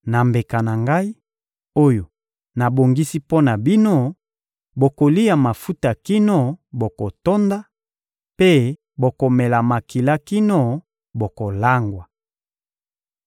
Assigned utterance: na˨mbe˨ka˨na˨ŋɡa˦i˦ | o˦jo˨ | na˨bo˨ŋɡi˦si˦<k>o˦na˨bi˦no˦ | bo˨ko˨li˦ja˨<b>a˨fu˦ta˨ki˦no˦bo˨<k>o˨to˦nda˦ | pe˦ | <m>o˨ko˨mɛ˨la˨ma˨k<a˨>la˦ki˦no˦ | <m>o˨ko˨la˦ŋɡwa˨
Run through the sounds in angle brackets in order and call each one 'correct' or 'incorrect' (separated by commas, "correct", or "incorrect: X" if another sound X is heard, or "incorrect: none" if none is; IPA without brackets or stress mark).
incorrect: p, incorrect: m, correct, incorrect: b, incorrect: i˨, incorrect: b